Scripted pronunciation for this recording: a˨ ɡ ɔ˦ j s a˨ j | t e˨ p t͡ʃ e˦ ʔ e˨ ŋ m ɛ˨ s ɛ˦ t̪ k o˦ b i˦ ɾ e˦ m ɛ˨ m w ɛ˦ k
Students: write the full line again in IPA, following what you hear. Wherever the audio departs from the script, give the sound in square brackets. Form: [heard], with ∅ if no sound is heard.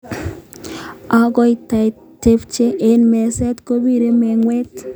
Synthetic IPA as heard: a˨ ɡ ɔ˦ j [t] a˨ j | t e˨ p t͡ʃ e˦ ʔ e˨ [n] m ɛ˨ s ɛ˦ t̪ k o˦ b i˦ ɾ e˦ m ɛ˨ [ŋ] w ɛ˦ [t]